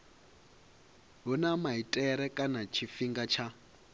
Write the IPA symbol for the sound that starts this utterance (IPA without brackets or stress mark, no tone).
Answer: ɦ